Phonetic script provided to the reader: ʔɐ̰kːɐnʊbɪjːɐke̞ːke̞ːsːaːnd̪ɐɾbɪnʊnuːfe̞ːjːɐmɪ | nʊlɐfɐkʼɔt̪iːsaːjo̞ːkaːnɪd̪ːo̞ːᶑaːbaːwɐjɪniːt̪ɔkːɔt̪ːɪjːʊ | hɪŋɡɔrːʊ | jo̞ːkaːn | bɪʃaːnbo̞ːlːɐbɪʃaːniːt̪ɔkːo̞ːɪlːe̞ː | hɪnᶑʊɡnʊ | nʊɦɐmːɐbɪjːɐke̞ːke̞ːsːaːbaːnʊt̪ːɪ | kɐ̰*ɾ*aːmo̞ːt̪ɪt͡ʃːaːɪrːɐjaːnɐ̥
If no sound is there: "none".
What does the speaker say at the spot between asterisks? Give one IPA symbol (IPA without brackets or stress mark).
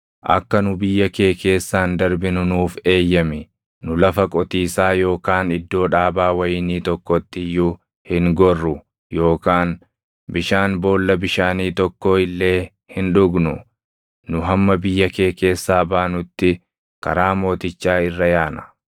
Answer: ɾ